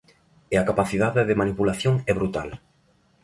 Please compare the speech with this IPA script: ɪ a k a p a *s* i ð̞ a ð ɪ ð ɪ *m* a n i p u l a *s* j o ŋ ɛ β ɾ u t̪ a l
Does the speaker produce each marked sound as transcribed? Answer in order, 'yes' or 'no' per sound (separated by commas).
no, yes, no